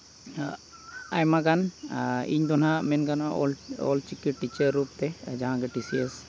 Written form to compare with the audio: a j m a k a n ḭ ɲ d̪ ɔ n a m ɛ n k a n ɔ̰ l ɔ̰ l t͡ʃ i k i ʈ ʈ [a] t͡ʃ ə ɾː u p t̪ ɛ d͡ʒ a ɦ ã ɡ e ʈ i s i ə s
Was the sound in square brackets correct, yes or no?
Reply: no